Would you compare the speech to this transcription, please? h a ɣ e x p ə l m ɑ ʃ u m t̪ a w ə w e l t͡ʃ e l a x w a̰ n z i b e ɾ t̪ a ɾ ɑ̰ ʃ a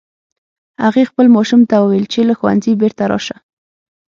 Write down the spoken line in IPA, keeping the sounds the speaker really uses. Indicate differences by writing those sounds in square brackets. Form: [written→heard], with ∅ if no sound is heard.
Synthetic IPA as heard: h a ɣ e x p ə l m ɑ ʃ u m t̪ a w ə w e l t͡ʃ e l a x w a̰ n z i b e ɾ t̪ a ɾ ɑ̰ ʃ a